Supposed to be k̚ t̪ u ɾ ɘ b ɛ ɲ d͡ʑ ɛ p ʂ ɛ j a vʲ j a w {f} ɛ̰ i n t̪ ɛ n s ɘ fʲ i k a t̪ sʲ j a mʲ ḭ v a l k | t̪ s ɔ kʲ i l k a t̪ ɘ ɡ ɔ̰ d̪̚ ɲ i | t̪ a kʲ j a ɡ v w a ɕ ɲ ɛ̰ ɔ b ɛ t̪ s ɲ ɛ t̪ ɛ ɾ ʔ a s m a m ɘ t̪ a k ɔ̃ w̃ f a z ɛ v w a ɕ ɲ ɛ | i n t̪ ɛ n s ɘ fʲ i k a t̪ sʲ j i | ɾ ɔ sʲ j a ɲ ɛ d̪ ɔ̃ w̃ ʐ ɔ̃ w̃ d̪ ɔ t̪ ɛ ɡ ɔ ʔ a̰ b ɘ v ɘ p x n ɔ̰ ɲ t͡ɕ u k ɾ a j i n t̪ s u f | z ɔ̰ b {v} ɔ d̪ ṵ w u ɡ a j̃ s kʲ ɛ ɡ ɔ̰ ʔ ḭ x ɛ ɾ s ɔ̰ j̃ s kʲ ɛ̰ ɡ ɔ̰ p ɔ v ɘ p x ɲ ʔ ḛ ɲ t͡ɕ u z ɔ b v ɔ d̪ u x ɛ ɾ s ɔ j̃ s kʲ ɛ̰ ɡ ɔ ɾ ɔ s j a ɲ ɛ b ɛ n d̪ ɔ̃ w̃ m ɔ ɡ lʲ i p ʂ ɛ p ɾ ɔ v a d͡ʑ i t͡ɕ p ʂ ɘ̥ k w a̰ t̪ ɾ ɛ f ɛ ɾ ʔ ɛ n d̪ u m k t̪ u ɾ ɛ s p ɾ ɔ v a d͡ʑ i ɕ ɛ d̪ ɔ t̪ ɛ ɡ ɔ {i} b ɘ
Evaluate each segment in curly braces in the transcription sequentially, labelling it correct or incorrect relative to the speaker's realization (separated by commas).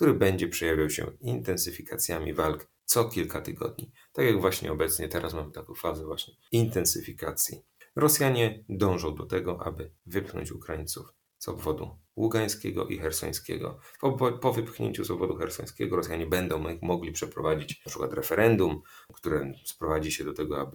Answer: incorrect, correct, incorrect